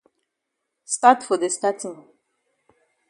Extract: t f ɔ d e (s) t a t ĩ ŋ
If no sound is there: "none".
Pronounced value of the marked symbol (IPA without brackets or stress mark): s